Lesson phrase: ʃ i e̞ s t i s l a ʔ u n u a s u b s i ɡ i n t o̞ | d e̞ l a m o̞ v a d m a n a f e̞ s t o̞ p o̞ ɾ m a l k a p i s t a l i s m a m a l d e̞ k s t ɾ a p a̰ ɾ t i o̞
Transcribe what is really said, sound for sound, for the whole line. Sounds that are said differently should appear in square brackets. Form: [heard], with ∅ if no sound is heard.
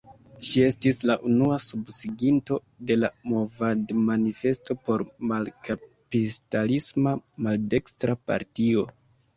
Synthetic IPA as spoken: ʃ i e̞ s t i s l a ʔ u n u a s u b s i ɡ i n t o̞ | d e̞ l a m o̞ v a d m a n [i] f e̞ s t o̞ p o̞ ɾ m a l k a p i s t a l i s m a m a l d e̞ k s t ɾ a p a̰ ɾ t i o̞